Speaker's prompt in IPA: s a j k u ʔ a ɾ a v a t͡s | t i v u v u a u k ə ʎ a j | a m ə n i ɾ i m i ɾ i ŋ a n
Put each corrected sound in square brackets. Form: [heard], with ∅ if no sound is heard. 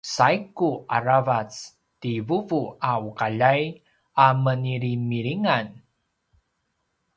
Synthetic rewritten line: s a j k u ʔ a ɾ a v a t͡s | t i v u v u a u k [a] ʎ a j | a m ə n i ɾ i m i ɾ i ŋ a n